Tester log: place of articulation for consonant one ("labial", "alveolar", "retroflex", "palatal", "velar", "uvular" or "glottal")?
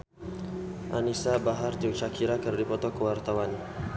glottal